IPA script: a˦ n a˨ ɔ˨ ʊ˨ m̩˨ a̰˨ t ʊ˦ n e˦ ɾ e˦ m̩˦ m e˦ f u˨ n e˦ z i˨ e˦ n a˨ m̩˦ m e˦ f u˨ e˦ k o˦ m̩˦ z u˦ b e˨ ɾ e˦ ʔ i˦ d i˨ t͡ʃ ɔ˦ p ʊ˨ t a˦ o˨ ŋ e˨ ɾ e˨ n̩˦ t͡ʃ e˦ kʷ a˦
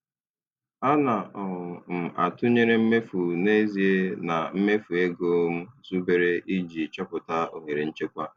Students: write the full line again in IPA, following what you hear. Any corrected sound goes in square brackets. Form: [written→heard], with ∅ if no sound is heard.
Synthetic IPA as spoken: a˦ n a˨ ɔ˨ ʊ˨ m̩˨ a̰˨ t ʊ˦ [n→ɲ] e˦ ɾ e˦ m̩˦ m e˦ f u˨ n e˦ z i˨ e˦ n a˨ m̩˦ m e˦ f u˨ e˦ [k→ɡ] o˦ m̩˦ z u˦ b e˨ ɾ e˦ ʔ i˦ [d→d͡ʒ] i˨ t͡ʃ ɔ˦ p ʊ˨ t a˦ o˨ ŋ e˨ ɾ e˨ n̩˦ t͡ʃ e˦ kʷ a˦